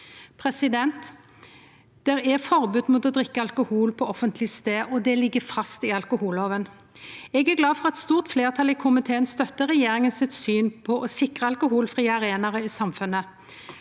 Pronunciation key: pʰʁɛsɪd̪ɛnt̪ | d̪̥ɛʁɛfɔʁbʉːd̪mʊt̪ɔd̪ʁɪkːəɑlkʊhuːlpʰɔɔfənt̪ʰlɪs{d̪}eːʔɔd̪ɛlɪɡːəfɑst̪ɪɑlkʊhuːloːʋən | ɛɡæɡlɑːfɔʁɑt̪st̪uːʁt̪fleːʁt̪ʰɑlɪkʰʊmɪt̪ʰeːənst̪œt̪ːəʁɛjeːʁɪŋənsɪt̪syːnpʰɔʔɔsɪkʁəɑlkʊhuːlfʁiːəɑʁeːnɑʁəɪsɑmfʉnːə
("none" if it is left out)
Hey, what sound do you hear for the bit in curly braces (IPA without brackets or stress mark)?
t̪